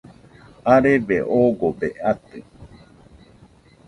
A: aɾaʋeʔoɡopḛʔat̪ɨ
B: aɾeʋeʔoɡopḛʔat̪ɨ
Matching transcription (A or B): B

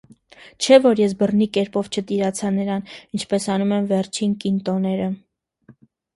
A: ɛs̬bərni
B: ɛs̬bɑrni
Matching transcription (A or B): A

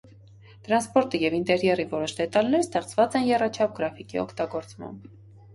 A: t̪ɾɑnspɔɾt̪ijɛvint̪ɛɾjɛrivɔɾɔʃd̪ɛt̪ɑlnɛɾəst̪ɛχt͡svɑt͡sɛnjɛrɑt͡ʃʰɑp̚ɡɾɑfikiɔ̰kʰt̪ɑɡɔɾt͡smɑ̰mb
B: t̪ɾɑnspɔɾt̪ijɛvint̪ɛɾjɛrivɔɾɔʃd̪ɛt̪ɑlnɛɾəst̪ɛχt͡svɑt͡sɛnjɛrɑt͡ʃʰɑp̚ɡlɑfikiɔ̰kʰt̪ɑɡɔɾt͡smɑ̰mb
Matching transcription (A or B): A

